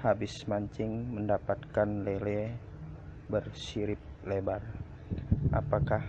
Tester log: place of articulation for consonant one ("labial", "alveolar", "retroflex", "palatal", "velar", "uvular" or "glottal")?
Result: glottal